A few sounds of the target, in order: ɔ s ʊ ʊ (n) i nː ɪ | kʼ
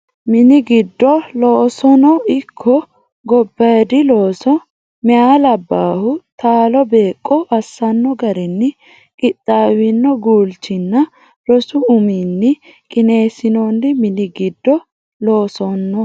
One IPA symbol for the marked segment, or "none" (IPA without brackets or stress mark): m